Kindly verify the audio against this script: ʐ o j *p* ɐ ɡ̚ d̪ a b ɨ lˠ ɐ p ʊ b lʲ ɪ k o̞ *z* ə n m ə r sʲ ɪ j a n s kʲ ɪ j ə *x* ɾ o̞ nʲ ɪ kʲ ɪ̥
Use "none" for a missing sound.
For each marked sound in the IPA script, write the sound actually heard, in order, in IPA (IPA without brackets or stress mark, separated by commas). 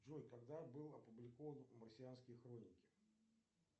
k, v, x